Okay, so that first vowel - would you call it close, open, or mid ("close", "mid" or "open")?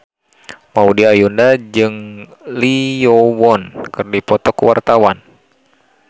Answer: open